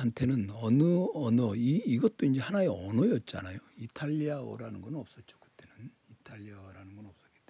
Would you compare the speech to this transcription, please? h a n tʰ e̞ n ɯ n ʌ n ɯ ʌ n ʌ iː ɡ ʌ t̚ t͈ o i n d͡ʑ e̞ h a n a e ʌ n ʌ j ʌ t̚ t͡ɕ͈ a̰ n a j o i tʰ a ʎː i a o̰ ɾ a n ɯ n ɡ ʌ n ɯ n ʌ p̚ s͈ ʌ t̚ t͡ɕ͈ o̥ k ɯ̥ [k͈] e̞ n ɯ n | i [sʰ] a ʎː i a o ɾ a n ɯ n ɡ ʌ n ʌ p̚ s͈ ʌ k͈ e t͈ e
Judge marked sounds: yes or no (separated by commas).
no, no